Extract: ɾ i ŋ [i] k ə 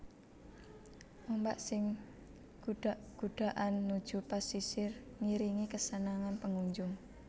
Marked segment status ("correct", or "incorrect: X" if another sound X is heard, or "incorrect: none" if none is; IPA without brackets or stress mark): correct